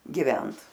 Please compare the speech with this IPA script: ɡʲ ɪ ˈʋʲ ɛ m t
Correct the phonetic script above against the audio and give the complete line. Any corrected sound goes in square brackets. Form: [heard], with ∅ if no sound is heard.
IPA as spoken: ɡʲ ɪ ˈʋʲ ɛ [n] t